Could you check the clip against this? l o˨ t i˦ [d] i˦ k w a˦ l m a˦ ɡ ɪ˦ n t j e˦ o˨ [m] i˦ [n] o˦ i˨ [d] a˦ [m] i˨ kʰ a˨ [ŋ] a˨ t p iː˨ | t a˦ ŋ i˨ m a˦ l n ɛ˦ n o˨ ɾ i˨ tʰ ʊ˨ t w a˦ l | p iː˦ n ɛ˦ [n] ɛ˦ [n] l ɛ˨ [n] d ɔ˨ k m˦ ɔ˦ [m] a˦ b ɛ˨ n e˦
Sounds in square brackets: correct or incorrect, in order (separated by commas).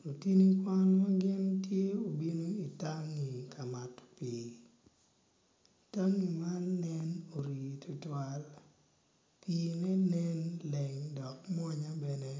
incorrect, incorrect, correct, incorrect, incorrect, incorrect, correct, correct, incorrect, incorrect